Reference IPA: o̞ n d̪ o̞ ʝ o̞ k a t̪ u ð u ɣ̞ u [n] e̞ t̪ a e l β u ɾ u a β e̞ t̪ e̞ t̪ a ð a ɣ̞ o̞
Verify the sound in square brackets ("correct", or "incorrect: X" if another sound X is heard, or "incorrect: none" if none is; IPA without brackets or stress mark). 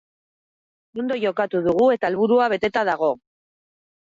incorrect: none